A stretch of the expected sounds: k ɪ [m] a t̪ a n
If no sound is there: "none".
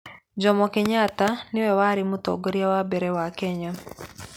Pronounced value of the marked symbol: ɲ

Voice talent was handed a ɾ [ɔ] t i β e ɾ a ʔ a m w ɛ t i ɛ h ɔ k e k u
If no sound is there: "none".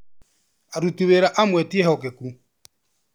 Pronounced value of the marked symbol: u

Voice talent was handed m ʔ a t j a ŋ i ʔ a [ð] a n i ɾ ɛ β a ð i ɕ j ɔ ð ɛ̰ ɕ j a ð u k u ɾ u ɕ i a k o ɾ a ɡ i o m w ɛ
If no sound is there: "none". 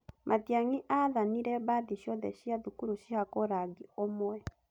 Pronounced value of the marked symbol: ð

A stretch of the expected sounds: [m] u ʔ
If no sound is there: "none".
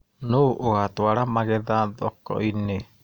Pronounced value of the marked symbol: n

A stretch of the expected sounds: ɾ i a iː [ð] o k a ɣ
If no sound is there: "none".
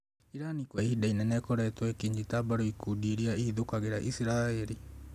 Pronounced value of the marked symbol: ð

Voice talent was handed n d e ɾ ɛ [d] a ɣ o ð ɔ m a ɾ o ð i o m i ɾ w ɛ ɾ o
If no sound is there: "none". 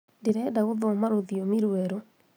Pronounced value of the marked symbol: d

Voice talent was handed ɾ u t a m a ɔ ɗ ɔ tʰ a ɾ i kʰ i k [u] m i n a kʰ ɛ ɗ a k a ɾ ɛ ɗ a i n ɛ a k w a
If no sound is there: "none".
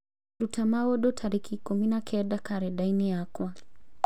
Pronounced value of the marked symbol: u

